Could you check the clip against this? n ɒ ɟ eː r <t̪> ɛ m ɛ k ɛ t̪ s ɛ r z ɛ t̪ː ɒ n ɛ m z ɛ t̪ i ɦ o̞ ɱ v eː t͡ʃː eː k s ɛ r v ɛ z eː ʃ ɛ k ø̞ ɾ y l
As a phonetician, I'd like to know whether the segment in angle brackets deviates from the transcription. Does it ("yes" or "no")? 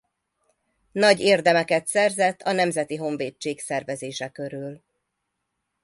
yes